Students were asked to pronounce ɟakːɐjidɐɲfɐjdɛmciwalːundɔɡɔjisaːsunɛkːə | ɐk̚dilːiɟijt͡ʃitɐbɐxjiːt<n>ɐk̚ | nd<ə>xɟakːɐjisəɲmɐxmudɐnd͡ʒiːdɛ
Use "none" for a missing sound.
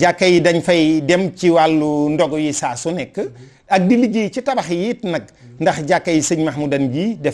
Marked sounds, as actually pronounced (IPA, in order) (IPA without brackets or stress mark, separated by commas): n, ɐ